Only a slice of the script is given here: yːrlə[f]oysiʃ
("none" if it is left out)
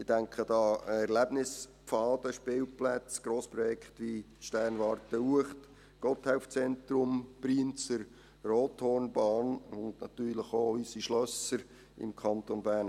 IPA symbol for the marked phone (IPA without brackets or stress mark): χ